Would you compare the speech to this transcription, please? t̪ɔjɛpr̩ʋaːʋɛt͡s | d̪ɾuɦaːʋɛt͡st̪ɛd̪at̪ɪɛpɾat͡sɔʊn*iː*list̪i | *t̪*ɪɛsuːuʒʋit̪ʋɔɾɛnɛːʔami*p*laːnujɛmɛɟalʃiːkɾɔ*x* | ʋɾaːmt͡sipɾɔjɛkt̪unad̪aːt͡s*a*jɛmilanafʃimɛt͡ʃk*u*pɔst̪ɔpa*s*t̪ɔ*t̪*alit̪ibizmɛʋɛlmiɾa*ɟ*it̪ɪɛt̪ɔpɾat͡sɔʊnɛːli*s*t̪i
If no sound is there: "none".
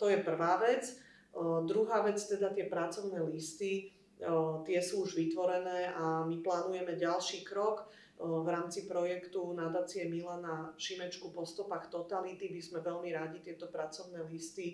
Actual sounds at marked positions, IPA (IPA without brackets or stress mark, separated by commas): ɛː, t̪, p, k, i, u, x, t̪, ɟ, s